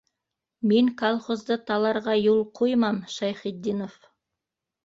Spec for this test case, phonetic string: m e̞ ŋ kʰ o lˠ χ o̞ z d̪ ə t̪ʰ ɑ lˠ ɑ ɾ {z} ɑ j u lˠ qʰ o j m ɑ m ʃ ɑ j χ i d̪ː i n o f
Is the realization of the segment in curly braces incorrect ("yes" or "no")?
yes